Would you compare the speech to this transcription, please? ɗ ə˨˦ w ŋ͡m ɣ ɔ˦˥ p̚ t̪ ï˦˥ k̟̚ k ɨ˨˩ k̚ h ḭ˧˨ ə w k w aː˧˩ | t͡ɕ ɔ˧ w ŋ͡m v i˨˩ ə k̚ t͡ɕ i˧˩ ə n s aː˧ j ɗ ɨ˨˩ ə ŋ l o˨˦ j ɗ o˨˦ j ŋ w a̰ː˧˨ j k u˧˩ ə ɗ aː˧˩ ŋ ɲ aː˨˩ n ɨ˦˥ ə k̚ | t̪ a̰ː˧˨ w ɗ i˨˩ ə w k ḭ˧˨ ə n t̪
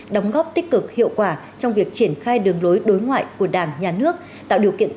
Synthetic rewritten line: ɗ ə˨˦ w ŋ͡m ɣ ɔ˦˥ p̚ t̪ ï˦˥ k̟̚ k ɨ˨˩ k̚ h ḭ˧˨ ə w k w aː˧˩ | t͡ɕ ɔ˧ w ŋ͡m v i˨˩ ə k̚ t͡ɕ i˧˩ ə n x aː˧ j ɗ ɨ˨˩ ə ŋ l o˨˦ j ɗ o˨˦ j ŋ w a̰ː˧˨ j k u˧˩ ə ɗ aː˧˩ ŋ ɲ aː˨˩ n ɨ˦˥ ə k̚ | t̪ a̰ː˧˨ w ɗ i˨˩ ə w k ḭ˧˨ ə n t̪